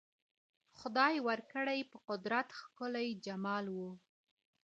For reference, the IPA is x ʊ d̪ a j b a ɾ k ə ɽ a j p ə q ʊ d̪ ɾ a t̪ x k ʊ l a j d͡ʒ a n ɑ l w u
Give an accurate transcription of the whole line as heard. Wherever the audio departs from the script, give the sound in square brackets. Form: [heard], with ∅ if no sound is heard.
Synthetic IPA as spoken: x ʊ d̪ [ɑ] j [w] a ɾ k ə ɽ a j p ə q ʊ d̪ ɾ a t̪ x k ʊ l a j d͡ʒ a [m] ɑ l w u